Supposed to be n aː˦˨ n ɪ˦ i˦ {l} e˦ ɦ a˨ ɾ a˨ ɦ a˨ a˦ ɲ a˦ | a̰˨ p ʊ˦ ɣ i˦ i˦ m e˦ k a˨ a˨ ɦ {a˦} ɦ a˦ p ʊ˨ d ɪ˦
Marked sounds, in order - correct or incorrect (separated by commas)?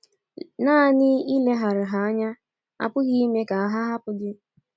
correct, correct